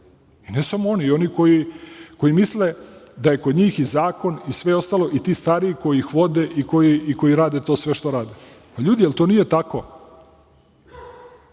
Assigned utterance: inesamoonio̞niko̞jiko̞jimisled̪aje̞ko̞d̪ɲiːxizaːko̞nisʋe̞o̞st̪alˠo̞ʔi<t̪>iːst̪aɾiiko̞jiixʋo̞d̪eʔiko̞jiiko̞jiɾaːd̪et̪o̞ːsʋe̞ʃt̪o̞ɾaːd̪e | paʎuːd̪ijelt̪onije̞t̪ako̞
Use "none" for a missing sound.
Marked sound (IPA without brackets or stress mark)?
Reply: t̪